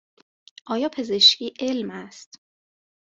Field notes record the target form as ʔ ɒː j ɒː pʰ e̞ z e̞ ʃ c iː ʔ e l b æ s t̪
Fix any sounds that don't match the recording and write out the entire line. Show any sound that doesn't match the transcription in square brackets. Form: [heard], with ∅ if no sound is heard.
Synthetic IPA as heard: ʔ ɒː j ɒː pʰ e̞ z e̞ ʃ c iː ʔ e l [m] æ s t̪